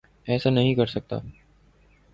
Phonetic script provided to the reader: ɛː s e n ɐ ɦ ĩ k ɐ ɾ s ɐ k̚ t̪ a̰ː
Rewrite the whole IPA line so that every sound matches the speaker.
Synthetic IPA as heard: ɛː s a n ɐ ɦ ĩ k ɐ ɾ s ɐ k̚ t̪ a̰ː